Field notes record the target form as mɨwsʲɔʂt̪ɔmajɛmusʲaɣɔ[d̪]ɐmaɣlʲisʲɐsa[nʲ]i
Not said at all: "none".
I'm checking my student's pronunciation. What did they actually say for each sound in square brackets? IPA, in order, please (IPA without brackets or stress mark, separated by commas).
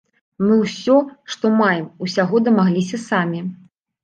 d̪, mʲ